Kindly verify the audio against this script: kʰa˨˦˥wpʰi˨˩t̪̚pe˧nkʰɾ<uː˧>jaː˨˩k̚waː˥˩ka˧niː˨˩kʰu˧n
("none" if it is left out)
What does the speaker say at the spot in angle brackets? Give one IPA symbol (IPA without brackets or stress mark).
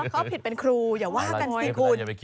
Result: uː˧